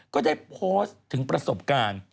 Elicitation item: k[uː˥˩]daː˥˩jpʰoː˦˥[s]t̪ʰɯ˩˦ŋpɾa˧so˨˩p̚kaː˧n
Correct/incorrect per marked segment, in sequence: incorrect, correct

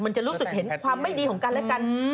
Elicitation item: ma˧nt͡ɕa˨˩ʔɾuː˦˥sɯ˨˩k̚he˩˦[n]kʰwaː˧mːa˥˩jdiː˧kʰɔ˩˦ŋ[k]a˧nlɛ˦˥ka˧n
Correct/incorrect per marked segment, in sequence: correct, correct

